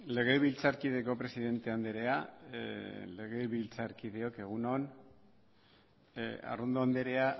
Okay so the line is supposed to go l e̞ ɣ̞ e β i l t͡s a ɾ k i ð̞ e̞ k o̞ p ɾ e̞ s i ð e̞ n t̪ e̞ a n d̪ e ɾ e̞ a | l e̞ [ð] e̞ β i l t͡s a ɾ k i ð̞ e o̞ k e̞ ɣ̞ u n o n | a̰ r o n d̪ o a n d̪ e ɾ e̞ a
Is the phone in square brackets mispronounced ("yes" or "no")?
yes